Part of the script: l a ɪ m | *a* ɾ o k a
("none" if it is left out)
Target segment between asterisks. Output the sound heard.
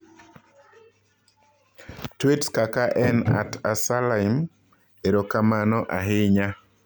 e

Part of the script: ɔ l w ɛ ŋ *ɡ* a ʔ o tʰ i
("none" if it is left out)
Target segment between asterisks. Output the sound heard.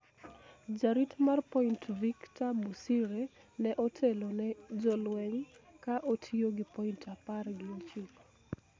k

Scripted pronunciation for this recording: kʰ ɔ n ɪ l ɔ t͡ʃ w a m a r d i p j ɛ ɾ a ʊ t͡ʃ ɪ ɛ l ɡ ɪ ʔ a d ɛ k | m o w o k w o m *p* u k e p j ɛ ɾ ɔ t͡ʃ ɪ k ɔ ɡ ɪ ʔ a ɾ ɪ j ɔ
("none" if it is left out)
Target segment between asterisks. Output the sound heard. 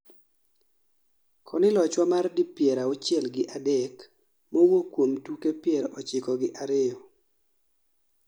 t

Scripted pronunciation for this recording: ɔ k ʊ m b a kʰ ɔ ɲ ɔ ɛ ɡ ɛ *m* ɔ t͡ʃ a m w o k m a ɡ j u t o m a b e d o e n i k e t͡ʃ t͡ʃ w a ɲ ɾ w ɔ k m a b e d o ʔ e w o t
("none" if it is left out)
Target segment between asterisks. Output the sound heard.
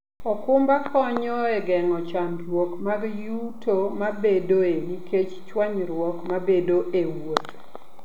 ŋ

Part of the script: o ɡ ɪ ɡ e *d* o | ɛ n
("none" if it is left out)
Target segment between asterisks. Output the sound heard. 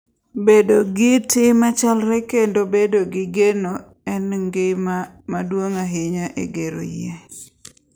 n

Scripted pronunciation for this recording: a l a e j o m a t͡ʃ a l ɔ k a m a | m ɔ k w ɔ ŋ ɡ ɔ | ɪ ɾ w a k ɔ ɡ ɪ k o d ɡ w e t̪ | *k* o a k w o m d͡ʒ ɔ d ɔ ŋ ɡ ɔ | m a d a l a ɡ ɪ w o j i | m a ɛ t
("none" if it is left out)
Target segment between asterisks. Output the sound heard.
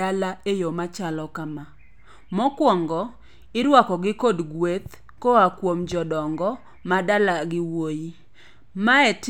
k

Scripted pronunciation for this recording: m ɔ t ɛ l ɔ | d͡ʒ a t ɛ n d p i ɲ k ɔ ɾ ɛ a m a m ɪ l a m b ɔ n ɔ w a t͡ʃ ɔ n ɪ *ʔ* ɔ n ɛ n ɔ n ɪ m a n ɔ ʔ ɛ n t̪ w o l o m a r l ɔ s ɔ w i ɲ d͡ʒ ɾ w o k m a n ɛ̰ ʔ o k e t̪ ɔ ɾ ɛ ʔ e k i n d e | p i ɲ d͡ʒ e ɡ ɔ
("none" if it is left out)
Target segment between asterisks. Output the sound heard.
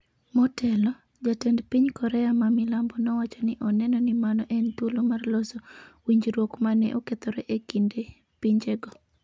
ʔ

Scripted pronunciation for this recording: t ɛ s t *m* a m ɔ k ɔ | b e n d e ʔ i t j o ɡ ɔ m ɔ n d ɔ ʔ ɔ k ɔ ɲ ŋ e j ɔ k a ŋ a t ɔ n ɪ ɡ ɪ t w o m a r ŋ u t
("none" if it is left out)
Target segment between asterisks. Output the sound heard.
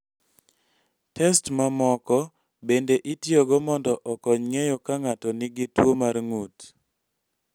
m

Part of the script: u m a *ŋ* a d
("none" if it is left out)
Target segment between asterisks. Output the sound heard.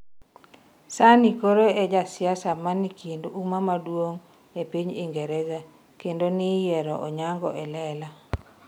m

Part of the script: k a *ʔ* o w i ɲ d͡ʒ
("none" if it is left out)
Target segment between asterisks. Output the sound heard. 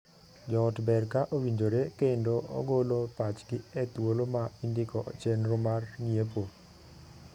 ʔ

